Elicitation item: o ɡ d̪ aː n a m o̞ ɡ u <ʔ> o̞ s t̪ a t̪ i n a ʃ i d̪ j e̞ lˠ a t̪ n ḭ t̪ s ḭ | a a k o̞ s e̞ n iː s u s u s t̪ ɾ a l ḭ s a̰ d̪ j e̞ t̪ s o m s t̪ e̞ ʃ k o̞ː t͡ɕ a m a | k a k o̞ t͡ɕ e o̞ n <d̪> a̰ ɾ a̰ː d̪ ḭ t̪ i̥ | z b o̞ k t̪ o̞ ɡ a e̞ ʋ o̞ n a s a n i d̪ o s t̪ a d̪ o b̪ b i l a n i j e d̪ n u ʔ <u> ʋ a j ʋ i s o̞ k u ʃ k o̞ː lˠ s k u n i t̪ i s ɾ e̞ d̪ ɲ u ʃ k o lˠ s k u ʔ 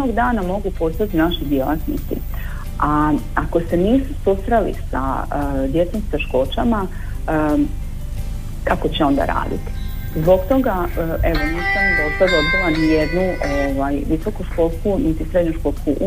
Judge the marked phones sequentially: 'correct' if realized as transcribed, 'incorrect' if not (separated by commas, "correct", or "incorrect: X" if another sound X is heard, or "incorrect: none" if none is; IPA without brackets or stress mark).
incorrect: p, correct, incorrect: o